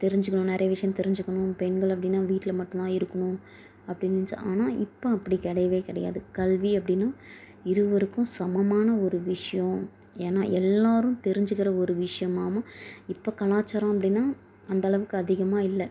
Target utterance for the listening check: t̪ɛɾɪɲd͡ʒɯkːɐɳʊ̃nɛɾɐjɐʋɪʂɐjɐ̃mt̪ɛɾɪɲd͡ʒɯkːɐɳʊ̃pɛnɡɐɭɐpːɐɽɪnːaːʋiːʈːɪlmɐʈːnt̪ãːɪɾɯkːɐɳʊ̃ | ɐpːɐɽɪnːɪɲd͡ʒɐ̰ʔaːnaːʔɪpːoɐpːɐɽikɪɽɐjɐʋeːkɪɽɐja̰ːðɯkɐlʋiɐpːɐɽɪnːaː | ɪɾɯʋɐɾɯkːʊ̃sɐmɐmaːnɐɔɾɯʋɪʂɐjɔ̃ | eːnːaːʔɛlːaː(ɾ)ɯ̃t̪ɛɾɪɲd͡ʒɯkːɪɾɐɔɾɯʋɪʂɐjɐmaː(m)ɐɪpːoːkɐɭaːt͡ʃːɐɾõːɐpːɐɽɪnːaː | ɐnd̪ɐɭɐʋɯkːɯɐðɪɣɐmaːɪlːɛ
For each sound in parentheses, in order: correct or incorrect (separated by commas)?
correct, correct